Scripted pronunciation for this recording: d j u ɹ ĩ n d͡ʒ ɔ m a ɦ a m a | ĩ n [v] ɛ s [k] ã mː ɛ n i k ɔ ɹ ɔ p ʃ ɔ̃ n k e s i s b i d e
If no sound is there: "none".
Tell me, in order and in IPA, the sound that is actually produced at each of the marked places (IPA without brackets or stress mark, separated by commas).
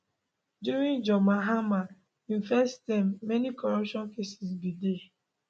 f, t